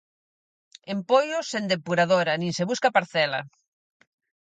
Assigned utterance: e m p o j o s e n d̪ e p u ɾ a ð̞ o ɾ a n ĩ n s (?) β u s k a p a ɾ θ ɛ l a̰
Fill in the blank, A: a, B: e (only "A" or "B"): B